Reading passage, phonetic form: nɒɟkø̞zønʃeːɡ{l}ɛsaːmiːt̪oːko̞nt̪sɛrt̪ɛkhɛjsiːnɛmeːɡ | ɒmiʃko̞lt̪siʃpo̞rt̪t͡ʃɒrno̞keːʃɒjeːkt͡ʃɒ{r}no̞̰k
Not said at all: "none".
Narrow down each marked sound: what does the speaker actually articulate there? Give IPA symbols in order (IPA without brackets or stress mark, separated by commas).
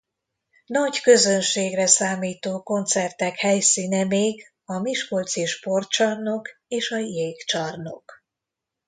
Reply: r, r